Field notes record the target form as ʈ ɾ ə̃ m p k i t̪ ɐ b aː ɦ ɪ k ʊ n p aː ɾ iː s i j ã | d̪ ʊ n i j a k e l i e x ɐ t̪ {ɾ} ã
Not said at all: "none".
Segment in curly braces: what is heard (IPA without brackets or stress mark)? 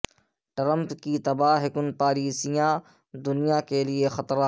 ɾ